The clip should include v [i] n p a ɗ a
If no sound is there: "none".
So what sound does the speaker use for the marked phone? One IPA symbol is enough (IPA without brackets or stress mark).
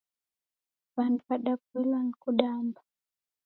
a